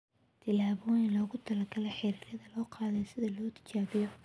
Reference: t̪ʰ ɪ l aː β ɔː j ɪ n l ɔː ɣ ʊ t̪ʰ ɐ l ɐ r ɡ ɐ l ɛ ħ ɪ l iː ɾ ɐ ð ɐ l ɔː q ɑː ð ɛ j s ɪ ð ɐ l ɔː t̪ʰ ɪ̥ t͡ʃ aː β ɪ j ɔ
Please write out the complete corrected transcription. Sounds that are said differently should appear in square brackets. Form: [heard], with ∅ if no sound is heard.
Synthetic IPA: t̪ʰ ɪ l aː β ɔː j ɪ n l ɔː ɣ ʊ t̪ʰ ɐ l ɐ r ɡ ɐ l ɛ ħ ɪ [ɾ] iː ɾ ɐ ð ɐ l ɔː q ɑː ð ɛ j s ɪ ð ɐ l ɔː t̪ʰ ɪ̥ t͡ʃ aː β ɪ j ɔ